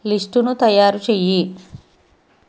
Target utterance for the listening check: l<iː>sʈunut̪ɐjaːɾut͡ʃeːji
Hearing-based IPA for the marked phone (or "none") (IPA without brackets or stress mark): i